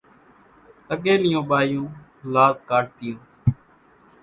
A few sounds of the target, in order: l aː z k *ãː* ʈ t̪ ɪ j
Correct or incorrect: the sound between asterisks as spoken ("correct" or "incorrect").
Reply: incorrect